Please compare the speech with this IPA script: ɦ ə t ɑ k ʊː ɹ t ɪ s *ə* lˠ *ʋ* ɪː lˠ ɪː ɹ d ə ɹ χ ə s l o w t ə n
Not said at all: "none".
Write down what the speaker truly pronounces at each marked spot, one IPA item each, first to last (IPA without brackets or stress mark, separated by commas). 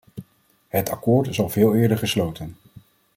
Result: ɑ, v